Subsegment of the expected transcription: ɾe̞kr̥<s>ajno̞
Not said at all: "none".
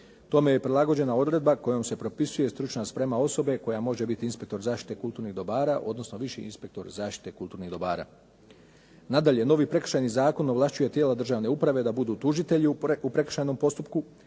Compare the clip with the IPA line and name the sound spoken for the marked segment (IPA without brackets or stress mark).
ʃ